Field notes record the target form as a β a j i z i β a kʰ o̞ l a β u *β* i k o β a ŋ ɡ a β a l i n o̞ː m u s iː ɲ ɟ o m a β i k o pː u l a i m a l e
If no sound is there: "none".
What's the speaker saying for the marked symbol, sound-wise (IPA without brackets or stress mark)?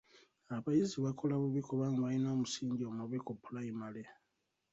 β